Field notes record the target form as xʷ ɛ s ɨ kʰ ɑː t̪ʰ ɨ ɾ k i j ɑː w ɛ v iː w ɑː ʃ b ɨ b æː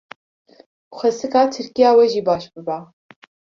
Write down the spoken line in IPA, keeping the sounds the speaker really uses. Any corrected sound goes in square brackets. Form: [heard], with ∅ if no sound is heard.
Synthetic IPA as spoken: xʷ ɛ s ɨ [k] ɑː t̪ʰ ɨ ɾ k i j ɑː w ɛ [ʒ] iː [b] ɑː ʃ b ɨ b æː